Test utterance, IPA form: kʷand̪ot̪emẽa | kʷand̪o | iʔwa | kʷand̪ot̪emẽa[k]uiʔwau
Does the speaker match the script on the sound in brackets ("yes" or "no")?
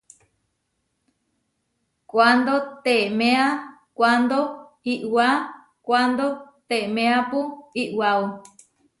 no